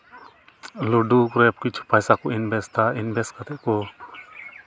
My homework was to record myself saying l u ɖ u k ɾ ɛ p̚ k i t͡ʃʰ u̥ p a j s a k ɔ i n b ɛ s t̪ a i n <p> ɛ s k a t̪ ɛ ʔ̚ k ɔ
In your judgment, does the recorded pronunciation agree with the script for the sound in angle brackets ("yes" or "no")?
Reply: no